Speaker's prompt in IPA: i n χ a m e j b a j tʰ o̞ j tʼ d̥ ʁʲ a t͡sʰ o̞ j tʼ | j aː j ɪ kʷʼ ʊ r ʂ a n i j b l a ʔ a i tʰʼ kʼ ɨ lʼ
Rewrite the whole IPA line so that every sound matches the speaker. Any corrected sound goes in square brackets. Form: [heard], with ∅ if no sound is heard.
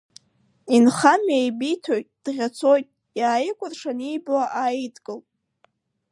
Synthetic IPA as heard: i n χ a m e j b [i] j tʰ o̞ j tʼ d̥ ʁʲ a t͡sʰ o̞ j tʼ | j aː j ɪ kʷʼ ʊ r ʂ a n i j b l a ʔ a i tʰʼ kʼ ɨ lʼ